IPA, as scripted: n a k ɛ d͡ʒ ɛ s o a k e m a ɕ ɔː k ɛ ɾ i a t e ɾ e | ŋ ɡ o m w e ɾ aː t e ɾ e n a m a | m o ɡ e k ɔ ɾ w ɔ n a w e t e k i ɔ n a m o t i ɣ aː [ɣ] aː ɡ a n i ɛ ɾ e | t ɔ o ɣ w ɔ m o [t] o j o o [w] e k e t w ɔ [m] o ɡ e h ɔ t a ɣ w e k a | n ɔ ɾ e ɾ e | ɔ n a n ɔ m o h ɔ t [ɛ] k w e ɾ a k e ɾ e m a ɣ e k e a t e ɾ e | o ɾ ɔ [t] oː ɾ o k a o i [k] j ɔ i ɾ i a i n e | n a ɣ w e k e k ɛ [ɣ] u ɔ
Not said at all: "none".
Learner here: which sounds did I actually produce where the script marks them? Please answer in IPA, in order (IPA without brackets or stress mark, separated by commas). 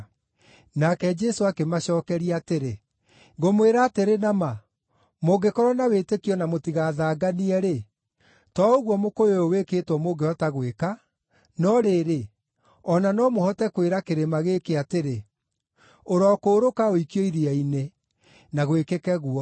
ð, k, w, m, ɛ, k, k, ɣ